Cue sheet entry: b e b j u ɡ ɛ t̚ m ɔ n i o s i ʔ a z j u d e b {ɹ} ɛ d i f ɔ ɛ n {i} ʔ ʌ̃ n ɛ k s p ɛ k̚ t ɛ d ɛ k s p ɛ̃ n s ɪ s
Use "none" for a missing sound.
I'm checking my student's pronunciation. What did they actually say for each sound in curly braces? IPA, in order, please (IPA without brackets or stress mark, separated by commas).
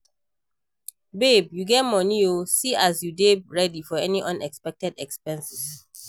ɹ, i